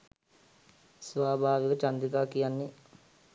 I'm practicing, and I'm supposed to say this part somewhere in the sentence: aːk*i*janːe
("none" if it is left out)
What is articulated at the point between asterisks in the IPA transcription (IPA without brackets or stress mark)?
i